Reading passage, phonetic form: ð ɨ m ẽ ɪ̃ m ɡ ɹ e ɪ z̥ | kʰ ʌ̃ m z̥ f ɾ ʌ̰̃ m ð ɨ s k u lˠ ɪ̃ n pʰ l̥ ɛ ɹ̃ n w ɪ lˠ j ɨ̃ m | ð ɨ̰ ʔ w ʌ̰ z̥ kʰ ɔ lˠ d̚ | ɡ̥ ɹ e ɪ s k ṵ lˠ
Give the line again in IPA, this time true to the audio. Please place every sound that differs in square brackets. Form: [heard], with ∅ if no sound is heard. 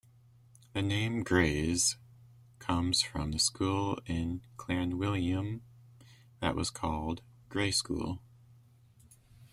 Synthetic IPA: ð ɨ [n] ẽ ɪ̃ m ɡ ɹ e ɪ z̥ | kʰ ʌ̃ m z̥ f [ɹ] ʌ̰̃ m ð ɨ s k u lˠ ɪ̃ n [kʰ] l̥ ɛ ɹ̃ n w ɪ lˠ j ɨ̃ m | ð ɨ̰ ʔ w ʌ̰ z̥ kʰ ɔ lˠ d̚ | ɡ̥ ɹ e ɪ s k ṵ lˠ